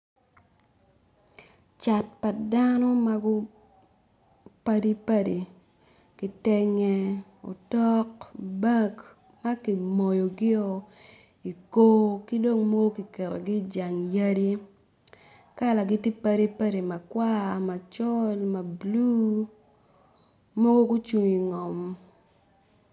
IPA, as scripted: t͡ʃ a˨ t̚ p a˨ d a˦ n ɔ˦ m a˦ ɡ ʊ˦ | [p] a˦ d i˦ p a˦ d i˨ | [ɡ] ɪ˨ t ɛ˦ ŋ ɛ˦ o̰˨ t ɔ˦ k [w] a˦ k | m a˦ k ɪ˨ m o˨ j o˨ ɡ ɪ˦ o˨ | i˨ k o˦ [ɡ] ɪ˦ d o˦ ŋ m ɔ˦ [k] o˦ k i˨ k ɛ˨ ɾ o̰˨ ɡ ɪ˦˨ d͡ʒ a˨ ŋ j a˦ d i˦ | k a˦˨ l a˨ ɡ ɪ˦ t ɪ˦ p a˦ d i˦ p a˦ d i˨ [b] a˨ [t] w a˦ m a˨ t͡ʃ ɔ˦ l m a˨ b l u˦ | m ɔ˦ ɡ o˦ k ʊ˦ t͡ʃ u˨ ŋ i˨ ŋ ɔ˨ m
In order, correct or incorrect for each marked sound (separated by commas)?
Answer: correct, incorrect, incorrect, incorrect, incorrect, incorrect, incorrect